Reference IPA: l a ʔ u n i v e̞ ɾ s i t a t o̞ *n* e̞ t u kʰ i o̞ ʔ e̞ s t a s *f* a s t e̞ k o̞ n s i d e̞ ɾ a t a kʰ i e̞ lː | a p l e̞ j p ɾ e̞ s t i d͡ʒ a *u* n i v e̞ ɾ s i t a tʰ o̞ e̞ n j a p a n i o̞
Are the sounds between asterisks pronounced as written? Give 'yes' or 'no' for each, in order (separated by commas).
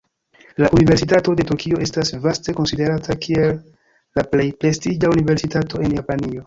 no, no, yes